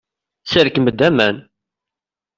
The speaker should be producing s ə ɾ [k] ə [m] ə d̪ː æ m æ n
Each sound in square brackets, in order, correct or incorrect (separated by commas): correct, correct